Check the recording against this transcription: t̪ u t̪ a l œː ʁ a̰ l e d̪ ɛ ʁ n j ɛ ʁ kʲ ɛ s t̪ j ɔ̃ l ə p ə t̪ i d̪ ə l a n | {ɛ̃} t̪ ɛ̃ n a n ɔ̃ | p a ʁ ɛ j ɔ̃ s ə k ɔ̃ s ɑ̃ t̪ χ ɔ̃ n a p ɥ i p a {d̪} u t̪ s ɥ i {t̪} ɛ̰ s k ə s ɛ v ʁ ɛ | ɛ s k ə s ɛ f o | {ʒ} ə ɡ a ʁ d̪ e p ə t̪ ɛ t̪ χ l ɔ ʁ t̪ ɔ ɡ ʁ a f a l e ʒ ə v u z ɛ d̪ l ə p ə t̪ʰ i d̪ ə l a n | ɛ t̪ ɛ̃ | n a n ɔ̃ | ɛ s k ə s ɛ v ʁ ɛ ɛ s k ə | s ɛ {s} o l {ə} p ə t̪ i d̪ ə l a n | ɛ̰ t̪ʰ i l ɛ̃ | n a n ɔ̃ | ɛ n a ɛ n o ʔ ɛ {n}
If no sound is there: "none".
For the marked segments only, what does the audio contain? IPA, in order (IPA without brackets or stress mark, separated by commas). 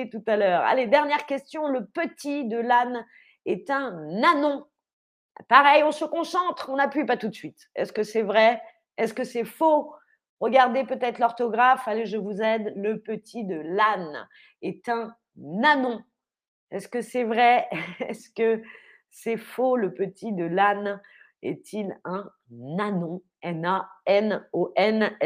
ɛ, t̪, t̪, ʁ, f, ə, n